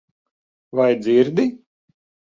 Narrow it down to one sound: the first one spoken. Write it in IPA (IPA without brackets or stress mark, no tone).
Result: v